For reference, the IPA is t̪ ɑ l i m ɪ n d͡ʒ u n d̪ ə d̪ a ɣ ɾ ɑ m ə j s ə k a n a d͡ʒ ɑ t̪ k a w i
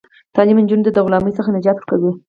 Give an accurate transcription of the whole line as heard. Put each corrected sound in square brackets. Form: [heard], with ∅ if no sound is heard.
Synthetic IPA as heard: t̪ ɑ l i m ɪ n d͡ʒ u n d̪ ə d̪ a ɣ [l] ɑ m ə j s ə [x] a n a d͡ʒ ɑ t̪ k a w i